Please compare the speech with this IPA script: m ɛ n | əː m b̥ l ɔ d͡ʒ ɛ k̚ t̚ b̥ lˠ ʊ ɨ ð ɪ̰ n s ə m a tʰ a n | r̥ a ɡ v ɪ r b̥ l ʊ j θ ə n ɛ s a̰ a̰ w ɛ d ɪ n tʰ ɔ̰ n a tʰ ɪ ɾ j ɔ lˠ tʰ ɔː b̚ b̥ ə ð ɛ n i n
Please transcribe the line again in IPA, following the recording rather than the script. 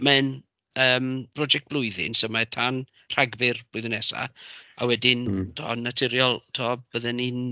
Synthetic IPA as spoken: m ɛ n | əː m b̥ r ɔ d͡ʒ ɛ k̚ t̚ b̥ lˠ ʊ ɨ ð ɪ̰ n s ə m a tʰ a n | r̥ a ɡ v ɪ r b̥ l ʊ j ð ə n ɛ s a̰ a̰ w ɛ d ɪ n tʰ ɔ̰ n a tʰ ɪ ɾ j ɔ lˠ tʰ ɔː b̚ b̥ ə ð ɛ n i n

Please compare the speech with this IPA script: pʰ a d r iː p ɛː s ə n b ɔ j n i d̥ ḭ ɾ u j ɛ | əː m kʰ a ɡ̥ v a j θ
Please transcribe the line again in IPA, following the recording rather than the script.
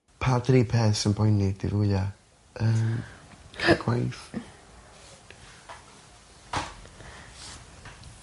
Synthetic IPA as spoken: pʰ a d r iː pʰ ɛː s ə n b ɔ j n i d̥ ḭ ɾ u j a | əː m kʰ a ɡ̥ w a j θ

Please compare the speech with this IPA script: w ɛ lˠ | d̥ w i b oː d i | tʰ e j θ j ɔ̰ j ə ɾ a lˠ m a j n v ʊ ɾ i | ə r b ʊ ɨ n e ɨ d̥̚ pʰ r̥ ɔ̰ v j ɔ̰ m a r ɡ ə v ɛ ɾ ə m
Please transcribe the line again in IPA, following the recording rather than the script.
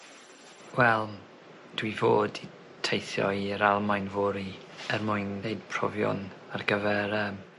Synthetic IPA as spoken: w ɛ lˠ | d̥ w i v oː d i | tʰ e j θ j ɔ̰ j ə ɾ a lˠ m a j n v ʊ ɾ i | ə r m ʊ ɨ n e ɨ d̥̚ pʰ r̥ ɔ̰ v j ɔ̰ n a r ɡ ə v ɛ ɾ ə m

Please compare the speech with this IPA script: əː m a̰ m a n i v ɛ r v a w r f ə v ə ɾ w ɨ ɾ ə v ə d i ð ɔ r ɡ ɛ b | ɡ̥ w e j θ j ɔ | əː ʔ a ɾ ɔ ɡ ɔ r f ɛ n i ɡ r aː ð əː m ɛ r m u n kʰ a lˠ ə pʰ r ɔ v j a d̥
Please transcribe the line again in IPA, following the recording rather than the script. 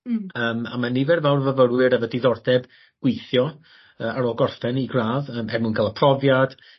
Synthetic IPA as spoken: əː m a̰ m a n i v ɛ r v a w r v ə v ə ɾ w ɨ ɾ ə v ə d i ð ɔ r d ɛ b | ɡ̥ w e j θ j ɔ | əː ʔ a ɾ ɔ ɡ ɔ r f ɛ n i ɡ r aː ð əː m ɛ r m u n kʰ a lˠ ə pʰ r ɔ v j a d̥

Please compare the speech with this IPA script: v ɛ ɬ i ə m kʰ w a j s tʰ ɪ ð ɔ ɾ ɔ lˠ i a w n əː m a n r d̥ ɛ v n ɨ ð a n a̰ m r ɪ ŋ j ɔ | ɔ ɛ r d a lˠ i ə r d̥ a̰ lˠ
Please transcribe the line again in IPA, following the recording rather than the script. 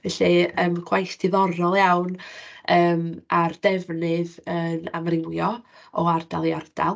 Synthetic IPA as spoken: v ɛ ɬ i ə m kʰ w a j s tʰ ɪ ð ɔ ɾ ɔ lˠ j a w n əː m a r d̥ ɛ v n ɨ ð ə n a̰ m r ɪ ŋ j ɔ | ɔ a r d a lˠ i a r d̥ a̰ lˠ

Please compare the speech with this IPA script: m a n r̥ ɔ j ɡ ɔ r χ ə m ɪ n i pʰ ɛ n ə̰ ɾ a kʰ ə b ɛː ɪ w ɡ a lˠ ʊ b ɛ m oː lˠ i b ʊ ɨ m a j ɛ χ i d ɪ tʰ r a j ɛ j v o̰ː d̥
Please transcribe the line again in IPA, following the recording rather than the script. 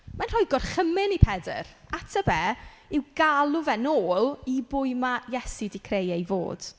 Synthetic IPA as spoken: m a n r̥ ɔ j ɡ ɔ r χ ə m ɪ n i pʰ ɛ d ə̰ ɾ a tʰ ə b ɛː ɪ w ɡ a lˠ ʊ v ɛ n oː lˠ i b ʊ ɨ m a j ɛ s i d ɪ kʰ r e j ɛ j v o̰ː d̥

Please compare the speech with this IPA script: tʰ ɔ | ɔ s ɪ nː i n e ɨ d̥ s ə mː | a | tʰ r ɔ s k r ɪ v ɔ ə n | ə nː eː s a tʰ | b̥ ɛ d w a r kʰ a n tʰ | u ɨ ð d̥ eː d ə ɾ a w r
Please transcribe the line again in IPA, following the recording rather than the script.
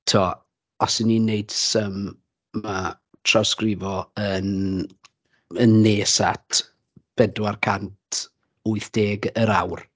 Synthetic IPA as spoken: tʰ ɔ | ɔ s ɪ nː i n e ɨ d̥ s ə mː | a | tʰ r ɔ s k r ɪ v ɔ ə n | ə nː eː s a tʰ | b̥ ɛ d w a r kʰ a n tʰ | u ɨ θ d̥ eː ɡ ə ɾ a w r

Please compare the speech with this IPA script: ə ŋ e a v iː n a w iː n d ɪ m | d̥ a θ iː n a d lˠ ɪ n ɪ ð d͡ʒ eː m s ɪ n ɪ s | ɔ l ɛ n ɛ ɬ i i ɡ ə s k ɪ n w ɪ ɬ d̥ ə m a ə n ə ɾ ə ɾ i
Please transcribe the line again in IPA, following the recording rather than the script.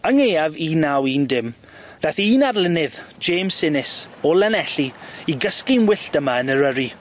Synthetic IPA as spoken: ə ŋ e a v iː n a w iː n d ɪ m | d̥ a θ iː n a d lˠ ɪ n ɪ ð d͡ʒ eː m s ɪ n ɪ s | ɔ l ɛ n ɛ ɬ i i ɡ ə s k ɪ n w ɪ ɬ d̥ ə m a ə n ə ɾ ə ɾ i

